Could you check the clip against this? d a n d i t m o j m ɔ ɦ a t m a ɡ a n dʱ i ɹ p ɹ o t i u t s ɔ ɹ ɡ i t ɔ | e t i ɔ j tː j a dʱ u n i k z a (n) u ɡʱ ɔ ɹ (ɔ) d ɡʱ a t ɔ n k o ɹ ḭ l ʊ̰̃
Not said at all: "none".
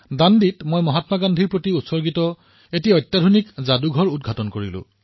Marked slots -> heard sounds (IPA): d, u

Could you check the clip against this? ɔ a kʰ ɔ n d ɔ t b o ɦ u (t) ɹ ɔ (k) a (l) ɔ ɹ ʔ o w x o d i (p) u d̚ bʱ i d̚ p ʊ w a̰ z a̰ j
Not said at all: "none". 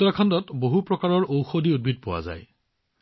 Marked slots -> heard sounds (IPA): p, k, ɹ, none

